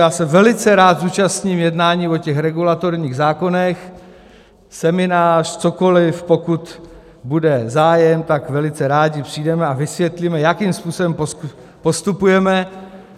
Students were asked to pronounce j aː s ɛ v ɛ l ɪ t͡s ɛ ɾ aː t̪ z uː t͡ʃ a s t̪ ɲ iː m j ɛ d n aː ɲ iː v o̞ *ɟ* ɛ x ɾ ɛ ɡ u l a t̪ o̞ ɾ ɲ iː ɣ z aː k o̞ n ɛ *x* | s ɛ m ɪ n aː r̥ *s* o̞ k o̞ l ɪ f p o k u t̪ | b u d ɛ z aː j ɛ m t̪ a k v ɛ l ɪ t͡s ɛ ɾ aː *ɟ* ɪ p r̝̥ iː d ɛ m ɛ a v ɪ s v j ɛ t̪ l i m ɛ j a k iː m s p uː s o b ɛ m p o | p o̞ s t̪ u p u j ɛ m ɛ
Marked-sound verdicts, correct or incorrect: incorrect: c, correct, incorrect: t͡s, correct

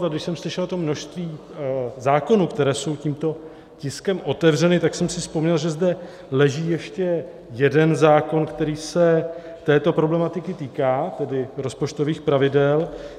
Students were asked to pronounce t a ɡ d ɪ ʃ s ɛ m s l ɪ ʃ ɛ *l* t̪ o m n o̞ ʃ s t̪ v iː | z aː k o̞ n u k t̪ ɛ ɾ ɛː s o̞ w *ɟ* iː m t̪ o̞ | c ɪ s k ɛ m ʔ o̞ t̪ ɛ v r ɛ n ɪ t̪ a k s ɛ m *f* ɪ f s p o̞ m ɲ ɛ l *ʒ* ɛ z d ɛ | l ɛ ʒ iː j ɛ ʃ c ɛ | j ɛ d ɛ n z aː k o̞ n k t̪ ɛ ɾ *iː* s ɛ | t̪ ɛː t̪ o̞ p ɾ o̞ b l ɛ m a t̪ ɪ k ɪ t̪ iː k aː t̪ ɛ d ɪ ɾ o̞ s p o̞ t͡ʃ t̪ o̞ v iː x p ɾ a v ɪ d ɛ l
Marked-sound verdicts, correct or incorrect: correct, incorrect: c, incorrect: s, correct, correct

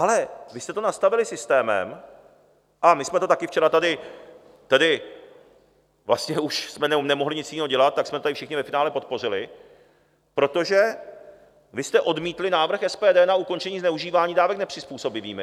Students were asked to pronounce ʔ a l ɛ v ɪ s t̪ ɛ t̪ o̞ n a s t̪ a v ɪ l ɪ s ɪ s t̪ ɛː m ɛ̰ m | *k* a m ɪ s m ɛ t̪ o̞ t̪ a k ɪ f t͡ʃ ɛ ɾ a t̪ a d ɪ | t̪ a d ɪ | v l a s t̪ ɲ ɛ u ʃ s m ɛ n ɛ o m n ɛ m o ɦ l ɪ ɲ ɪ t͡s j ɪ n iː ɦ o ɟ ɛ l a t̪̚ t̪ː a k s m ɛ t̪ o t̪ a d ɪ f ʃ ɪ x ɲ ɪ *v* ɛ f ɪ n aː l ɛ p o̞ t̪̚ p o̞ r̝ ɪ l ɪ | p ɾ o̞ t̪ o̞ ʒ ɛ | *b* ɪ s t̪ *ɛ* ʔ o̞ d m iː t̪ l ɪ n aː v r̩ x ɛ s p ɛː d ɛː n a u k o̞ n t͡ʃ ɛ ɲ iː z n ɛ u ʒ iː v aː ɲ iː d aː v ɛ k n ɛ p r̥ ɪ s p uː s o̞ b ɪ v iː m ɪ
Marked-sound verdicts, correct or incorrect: incorrect: ʔ, correct, incorrect: v, correct

